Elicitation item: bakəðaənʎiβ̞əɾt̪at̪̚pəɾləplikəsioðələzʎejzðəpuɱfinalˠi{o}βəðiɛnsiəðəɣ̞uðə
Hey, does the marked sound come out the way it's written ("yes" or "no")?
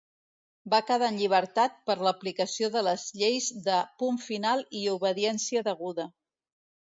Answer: no